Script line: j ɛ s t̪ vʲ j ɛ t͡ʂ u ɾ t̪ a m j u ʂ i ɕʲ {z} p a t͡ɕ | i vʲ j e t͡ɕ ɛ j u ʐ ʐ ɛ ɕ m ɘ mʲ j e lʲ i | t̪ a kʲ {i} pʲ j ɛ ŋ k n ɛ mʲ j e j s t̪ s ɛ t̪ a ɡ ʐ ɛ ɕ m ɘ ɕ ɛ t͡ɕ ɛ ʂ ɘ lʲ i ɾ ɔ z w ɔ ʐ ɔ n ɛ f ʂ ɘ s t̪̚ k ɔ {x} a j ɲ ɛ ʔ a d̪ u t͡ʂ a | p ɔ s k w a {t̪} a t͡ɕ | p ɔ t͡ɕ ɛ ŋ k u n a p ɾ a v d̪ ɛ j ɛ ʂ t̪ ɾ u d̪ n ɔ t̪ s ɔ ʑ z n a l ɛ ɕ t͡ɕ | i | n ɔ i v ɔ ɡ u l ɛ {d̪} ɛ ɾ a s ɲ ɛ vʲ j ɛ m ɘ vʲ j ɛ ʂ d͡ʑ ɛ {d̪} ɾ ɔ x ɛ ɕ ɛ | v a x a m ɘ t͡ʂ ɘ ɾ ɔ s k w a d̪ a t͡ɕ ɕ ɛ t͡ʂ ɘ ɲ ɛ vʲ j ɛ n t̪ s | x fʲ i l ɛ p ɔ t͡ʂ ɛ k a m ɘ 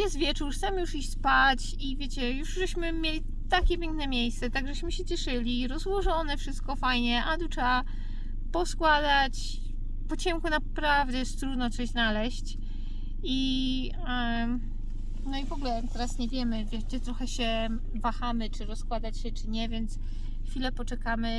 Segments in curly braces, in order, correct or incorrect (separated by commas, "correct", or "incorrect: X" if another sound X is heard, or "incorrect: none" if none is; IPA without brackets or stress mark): incorrect: s, incorrect: ɛ, incorrect: f, incorrect: d̪, incorrect: t̪, incorrect: t̪